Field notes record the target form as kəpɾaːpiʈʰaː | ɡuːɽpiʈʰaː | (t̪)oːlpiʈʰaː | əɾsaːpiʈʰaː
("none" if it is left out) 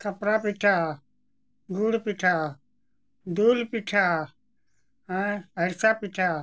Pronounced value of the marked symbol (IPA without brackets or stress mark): d̪